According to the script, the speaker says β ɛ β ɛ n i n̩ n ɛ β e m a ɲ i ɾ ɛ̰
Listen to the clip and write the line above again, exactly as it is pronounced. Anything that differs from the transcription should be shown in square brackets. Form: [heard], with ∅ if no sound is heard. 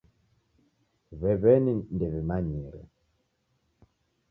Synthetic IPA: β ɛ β ɛ n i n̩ [d] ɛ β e m a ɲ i ɾ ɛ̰